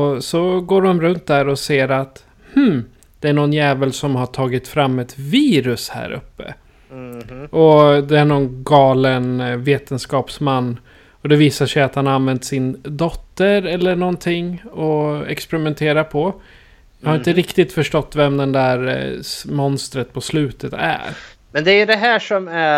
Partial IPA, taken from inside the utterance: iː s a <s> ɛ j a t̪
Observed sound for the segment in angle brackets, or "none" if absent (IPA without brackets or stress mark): ʂ